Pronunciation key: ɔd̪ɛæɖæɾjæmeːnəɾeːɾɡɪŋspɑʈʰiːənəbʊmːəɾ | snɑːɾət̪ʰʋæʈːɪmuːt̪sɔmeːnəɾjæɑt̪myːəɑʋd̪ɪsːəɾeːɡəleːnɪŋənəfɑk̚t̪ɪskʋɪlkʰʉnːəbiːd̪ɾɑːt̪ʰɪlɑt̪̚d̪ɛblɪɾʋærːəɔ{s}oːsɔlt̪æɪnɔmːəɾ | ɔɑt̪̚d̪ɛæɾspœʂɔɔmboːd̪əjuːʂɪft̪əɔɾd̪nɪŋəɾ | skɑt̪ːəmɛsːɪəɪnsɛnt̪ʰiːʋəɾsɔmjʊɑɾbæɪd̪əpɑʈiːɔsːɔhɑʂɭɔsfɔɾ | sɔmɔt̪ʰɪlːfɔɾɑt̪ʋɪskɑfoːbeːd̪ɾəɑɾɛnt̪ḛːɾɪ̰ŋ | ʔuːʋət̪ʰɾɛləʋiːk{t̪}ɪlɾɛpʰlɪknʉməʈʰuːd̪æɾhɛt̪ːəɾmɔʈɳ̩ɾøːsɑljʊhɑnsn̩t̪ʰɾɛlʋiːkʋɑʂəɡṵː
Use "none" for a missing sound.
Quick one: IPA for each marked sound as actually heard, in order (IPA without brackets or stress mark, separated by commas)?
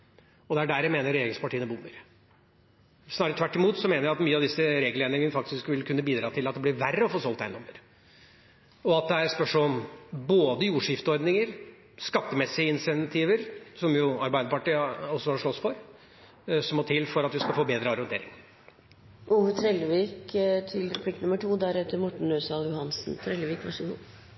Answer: f, t̪ʰ